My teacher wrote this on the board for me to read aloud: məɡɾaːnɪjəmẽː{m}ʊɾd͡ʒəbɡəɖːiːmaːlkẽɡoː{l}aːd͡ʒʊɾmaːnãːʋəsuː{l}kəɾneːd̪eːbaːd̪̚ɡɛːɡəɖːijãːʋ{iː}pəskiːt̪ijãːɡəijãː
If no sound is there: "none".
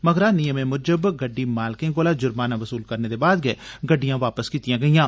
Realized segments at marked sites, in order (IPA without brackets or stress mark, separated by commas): m, l, l, aː